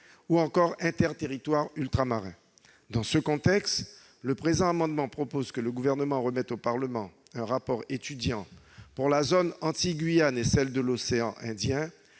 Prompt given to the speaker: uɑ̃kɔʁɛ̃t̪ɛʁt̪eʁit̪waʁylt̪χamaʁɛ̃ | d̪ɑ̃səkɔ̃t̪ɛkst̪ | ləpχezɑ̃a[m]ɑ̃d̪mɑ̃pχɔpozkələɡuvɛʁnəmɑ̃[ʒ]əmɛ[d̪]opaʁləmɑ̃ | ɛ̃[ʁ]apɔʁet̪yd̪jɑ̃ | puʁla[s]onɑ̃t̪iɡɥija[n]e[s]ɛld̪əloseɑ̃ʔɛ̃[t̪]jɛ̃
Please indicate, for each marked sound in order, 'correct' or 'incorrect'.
correct, incorrect, incorrect, correct, incorrect, correct, correct, incorrect

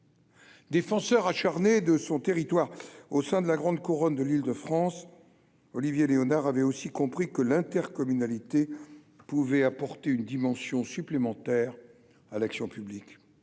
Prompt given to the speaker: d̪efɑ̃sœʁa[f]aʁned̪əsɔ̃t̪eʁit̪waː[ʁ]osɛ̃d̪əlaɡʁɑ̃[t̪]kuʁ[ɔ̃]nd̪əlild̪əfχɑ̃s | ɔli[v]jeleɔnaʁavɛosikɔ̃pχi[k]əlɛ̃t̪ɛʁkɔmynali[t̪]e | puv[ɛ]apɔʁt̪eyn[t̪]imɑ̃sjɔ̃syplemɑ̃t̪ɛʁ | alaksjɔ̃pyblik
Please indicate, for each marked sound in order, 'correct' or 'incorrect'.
incorrect, correct, incorrect, incorrect, correct, correct, correct, correct, incorrect

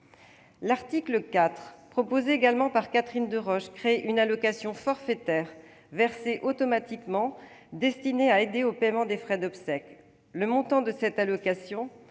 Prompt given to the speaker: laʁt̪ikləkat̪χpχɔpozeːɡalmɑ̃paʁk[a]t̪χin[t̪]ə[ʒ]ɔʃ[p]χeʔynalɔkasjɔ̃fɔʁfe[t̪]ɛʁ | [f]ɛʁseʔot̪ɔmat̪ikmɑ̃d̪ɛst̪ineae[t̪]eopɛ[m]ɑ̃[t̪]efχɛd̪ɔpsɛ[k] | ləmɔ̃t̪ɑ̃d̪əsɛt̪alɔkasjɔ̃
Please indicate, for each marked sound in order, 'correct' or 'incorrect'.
correct, incorrect, incorrect, incorrect, correct, incorrect, incorrect, correct, incorrect, correct

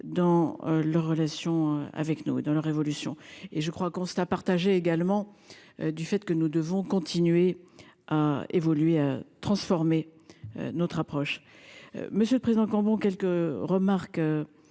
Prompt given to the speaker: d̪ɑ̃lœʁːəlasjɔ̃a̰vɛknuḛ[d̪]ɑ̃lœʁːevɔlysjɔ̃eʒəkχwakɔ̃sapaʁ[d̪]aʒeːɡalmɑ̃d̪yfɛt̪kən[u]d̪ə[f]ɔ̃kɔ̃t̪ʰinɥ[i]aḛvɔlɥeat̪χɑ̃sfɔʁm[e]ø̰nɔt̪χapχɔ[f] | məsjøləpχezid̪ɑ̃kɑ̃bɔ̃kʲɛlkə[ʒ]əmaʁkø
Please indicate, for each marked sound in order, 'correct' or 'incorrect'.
correct, incorrect, correct, incorrect, incorrect, correct, incorrect, incorrect

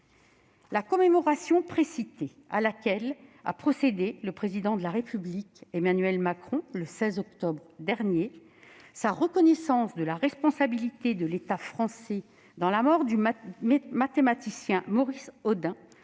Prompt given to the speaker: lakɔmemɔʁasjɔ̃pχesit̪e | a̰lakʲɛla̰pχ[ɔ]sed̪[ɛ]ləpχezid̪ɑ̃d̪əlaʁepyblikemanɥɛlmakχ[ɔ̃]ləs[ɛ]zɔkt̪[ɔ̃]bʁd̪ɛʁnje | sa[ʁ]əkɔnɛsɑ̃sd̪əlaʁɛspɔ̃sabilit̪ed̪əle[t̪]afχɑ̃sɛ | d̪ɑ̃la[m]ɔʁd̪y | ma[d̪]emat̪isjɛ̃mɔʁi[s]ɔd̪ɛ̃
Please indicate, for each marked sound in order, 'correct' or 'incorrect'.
correct, incorrect, correct, correct, incorrect, correct, correct, correct, incorrect, correct

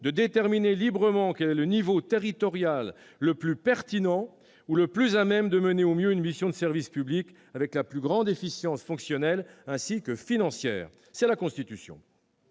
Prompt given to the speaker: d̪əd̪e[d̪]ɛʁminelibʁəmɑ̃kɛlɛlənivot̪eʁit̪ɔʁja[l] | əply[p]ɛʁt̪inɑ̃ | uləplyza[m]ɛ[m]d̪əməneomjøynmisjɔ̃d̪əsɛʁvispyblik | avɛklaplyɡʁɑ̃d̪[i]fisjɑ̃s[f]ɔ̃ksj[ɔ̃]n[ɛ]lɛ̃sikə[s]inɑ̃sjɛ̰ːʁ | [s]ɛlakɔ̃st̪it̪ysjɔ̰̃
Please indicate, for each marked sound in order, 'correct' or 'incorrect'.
incorrect, incorrect, correct, correct, correct, incorrect, correct, incorrect, correct, incorrect, correct

